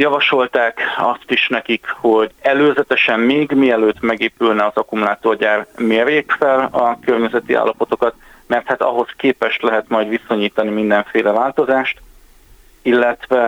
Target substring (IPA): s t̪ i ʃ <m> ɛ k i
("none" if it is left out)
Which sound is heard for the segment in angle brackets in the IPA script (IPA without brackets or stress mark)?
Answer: n